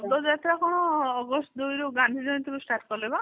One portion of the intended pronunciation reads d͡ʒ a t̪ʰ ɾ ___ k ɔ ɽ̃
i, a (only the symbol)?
a